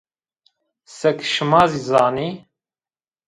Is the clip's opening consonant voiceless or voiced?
voiceless